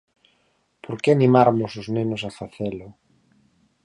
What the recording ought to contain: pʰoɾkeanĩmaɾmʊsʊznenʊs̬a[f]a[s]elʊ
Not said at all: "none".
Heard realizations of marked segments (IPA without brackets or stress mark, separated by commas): f, θ